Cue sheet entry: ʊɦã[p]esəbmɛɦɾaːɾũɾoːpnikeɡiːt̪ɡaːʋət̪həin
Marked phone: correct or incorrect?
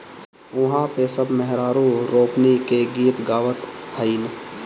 correct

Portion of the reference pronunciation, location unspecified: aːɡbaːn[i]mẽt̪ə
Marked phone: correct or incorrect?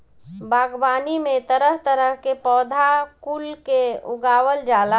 correct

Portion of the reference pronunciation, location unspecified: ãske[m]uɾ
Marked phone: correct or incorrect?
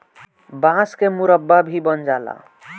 correct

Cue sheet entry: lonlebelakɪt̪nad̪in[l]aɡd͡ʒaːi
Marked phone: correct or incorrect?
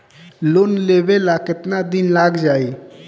correct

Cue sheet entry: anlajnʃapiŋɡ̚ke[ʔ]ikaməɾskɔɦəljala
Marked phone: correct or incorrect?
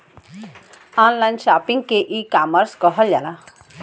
correct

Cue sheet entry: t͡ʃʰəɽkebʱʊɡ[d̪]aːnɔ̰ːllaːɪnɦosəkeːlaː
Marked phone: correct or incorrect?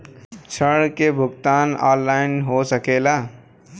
incorrect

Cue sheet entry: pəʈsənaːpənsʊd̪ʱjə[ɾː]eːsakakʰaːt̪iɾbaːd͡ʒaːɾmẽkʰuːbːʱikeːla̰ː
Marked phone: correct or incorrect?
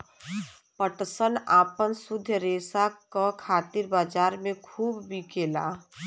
incorrect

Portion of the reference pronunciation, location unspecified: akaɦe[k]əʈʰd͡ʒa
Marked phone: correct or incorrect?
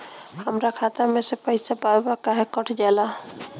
correct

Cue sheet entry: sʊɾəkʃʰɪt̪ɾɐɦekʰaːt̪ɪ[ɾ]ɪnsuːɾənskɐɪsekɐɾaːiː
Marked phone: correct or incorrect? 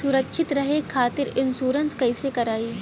correct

